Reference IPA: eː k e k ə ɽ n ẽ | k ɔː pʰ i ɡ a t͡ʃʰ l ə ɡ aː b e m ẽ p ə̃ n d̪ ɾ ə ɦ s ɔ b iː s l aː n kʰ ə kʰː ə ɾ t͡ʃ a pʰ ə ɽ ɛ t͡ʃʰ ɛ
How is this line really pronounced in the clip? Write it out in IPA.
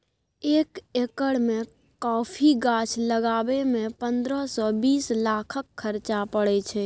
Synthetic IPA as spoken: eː k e k ə ɽ m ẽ | k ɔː pʰ i ɡ a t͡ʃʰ l ə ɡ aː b e m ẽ p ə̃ n d̪ ɾ ə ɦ s ɔ b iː s l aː kʰ ə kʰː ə ɾ t͡ʃ a p ə ɽ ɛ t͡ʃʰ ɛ